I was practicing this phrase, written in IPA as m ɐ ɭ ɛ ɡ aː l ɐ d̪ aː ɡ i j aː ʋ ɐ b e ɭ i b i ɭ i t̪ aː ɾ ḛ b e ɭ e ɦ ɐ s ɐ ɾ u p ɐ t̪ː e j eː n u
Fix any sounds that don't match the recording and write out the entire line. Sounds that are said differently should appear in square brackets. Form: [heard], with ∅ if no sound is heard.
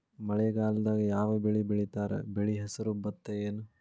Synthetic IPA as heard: m ɐ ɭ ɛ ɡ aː l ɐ d̪ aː ɡ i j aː ʋ ɐ b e ɭ i b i ɭ i t̪ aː ɾ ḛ b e ɭ [i] ɦ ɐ s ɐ ɾ u [b] ɐ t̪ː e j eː n u